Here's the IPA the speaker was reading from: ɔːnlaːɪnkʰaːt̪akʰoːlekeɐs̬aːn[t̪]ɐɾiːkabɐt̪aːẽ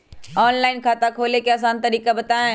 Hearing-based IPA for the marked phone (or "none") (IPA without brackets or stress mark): t̪